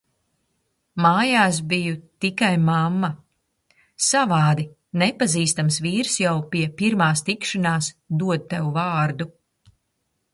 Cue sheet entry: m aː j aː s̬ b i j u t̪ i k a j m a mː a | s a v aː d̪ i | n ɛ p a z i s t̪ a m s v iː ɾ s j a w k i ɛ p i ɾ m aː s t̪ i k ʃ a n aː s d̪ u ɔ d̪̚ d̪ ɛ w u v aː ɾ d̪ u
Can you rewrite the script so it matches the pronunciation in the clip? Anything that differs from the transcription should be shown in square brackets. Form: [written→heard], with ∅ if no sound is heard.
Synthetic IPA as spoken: m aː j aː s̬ b i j u t̪ i k a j m a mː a | s a v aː d̪ i | n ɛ p a z [i→iː] s t̪ a m s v iː ɾ s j a w [k→p] i ɛ p i ɾ m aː s t̪ i k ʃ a n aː s d̪ u ɔ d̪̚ [d̪→t̪] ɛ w u v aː ɾ d̪ u

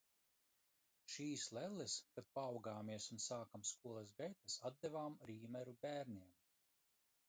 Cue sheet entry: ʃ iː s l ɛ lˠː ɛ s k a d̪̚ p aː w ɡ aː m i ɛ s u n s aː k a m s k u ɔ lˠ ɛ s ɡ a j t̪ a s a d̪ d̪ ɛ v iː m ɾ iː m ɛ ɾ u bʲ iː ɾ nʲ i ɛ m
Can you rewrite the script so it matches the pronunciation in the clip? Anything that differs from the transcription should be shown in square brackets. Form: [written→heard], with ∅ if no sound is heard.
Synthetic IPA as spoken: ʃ iː s l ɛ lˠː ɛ s k a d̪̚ p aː w ɡ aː m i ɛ s u n s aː k a m s k u ɔ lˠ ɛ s ɡ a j t̪ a s a d̪ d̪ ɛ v [iː→aː] m ɾ iː m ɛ ɾ u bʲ [iː→æː] ɾ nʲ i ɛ m

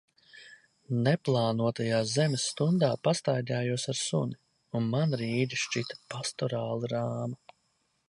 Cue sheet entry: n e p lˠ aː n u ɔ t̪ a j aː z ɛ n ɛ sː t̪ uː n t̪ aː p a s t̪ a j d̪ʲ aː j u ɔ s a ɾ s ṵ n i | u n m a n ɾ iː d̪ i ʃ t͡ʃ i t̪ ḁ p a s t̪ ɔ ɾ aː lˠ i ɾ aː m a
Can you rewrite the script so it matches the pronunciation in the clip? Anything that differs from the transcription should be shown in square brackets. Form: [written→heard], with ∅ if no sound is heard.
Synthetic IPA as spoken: n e p lˠ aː n u ɔ t̪ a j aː z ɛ [n→m] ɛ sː t̪ [uː→u] n [t̪→d̪] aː p a s t̪ a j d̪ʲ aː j u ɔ s a ɾ s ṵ n i | u n m a n ɾ iː d̪ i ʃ t͡ʃ i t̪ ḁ p a s t̪ ɔ ɾ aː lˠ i ɾ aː m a

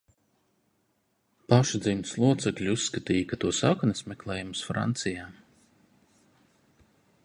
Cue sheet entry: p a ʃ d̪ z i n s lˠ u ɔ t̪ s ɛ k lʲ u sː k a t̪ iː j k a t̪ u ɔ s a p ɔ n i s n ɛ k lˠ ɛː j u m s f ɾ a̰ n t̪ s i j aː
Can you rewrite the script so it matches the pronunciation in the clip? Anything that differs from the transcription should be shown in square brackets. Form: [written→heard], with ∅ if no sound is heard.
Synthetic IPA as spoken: p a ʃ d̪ z i n s lˠ u ɔ t̪ s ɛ k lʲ u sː k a t̪ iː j k a t̪ u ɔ s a [p→k] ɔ n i s [n→m] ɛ k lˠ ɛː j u m s f ɾ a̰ n t̪ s i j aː

